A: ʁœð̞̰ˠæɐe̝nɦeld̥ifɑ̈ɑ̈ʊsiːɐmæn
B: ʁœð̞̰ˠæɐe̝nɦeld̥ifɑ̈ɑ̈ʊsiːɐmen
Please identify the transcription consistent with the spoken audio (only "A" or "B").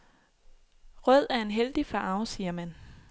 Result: A